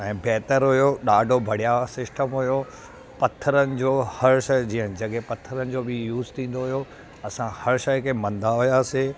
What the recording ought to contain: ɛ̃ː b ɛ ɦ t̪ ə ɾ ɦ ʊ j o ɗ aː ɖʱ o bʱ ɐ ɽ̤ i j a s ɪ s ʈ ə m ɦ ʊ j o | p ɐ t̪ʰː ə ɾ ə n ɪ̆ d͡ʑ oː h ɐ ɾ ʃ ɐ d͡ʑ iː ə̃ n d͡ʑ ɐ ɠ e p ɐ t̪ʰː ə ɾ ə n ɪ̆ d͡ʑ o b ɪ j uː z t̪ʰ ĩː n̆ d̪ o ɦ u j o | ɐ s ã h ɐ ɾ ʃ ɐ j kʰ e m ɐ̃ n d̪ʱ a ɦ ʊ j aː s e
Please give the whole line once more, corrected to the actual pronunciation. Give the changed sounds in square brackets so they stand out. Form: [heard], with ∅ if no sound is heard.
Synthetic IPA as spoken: ɛ̃ː b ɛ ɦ t̪ ə ɾ ɦ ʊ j o ɗ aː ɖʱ o bʱ ɐ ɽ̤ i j a s ɪ s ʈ ə m ɦ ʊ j o | p ɐ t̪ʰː ə ɾ ə n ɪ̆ d͡ʑ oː h ɐ ɾ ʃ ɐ d͡ʑ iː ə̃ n d͡ʑ ɐ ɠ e p ɐ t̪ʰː ə ɾ ə n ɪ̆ d͡ʑ o b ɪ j uː z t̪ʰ ĩː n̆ d̪ o ɦ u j o | ɐ s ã h ɐ ɾ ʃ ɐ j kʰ e m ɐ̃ n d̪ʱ a ɦ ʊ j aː s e